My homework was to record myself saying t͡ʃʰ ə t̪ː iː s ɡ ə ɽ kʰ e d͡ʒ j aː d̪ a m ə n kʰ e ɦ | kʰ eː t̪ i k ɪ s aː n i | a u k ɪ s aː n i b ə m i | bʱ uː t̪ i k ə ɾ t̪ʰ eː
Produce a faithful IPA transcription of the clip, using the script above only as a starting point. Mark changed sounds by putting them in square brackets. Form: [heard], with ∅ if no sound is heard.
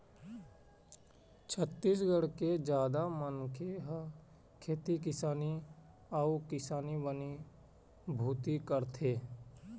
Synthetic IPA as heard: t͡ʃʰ ə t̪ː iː s ɡ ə ɽ [k] e d͡ʒ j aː d̪ a m ə n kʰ e ɦ | kʰ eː t̪ i k ɪ s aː n i | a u k ɪ s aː n i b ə [n] i | bʱ uː t̪ i k ə ɾ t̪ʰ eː